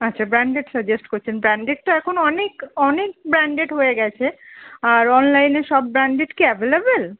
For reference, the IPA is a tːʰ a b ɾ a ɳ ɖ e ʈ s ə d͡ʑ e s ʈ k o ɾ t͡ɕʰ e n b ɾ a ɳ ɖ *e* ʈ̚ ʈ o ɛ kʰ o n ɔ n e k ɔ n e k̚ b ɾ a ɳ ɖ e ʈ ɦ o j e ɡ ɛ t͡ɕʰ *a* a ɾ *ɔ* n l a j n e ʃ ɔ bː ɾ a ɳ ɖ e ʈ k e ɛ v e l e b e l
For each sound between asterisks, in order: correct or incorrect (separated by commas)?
correct, incorrect, correct